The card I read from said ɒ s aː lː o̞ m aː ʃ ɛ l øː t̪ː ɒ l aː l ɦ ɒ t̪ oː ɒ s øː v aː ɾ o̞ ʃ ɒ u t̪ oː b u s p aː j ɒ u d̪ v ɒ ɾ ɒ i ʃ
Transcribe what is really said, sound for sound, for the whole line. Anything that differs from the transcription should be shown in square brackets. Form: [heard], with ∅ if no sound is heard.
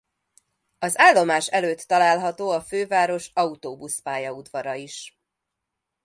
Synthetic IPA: ɒ [z] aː lː o̞ m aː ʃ ɛ l øː t̪ː ɒ l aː l ɦ ɒ t̪ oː ɒ [f] øː v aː ɾ o̞ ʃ ɒ u t̪ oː b u s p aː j ɒ u d̪ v ɒ ɾ ɒ i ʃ